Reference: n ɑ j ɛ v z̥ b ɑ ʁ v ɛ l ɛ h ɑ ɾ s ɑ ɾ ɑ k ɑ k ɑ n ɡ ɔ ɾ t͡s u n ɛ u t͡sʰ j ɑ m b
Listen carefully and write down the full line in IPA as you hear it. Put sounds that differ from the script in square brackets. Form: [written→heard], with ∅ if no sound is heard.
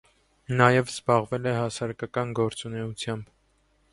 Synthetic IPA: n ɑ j ɛ v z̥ b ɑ ʁ v ɛ l ɛ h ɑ [ɾ→∅] s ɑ ɾ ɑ k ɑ k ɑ n ɡ ɔ ɾ t͡s u n ɛ u t͡sʰ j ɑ m b